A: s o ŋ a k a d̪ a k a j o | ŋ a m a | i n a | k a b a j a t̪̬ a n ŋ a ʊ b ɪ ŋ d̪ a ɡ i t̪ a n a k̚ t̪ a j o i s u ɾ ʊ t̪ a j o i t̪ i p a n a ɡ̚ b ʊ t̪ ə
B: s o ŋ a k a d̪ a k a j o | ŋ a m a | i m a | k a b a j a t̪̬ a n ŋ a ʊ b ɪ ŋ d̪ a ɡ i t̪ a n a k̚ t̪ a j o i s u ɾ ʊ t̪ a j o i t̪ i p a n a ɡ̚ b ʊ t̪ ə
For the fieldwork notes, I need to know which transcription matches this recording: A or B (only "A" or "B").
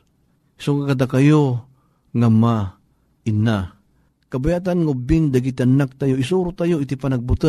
A